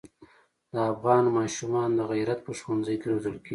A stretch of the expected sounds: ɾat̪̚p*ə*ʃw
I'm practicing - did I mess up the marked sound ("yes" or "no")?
no